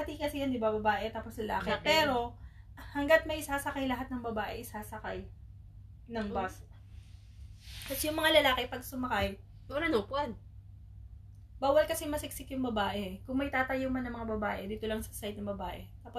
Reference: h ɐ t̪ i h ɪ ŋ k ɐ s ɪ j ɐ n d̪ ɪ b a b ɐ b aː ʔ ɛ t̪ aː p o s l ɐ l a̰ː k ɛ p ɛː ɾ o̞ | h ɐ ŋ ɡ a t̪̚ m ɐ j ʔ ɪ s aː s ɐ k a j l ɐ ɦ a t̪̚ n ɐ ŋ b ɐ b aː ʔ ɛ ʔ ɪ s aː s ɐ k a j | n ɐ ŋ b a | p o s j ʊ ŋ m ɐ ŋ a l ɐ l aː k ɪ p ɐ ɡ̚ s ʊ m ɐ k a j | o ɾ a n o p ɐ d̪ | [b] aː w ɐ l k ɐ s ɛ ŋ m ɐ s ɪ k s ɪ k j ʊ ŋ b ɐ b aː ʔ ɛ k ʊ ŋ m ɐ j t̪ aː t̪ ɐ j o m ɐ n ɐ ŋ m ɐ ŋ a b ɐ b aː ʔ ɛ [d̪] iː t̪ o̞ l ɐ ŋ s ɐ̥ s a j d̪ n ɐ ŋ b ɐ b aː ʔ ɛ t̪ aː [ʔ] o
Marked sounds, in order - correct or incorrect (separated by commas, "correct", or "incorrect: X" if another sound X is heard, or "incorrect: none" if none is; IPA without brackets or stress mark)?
correct, correct, incorrect: p